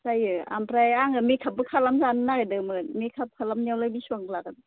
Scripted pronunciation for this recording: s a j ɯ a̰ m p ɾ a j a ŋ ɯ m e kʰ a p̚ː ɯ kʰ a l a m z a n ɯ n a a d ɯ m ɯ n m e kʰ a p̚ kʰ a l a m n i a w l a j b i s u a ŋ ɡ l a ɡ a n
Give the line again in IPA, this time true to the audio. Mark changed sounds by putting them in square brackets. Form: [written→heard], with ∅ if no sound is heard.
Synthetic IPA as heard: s a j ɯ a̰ m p ɾ a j a ŋ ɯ m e kʰ a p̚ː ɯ kʰ a l a m z a n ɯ n a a d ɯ m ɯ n m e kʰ a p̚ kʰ a l a m n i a w l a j b i s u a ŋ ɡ l a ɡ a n